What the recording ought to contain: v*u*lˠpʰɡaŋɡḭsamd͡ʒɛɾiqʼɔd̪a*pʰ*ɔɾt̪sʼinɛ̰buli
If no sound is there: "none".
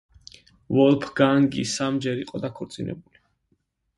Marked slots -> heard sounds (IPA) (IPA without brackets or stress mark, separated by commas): ɔ, kʰ